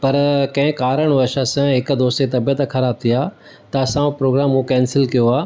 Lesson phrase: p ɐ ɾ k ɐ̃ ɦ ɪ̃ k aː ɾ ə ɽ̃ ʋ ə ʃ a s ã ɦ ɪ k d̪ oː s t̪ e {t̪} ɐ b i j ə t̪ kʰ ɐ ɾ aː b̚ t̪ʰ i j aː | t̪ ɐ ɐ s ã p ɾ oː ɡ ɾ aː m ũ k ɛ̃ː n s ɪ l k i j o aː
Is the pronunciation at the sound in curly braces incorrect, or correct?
correct